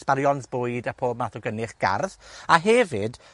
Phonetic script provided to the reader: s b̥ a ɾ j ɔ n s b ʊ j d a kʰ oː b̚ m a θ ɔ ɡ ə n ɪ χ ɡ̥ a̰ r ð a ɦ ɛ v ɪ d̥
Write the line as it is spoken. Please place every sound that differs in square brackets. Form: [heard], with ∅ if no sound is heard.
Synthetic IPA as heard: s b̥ a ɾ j ɔ n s b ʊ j d a [pʰ] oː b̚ m a θ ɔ ɡ ə n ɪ χ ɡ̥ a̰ r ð a ɦ ɛ v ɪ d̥